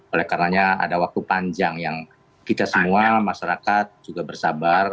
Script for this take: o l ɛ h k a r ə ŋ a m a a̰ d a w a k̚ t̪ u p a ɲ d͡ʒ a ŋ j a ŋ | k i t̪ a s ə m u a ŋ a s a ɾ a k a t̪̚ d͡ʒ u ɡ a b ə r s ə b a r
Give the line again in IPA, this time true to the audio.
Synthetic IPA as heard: o l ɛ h k a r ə n a ɲ a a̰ d a w a k̚ t̪ u p a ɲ d͡ʒ a ŋ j a ŋ | k i t̪ a s ə m u a m a ʃ a ɾ a k a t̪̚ d͡ʒ u ɡ a b ə r s a b a r